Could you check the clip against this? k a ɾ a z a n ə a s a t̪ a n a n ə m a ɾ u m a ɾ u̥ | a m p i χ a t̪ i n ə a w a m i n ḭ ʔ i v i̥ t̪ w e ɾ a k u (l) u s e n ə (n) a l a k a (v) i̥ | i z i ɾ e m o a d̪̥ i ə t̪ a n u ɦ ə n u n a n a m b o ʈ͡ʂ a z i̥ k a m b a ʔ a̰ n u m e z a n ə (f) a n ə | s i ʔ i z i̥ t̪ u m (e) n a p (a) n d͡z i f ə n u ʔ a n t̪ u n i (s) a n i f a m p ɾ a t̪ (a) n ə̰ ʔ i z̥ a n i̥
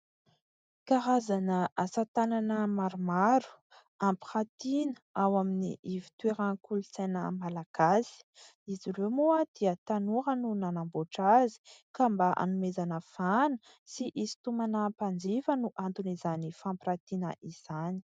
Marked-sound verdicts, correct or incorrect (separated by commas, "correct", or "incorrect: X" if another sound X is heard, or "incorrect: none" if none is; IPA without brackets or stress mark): correct, incorrect: m, incorrect: z, correct, incorrect: a, correct, incorrect: z, incorrect: i